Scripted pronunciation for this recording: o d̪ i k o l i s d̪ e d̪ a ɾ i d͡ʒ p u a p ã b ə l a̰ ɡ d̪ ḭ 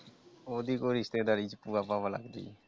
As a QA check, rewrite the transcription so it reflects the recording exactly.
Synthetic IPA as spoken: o d̪ i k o ɾ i s t̪ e d̪ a ɾ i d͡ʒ p u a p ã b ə l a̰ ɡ d̪ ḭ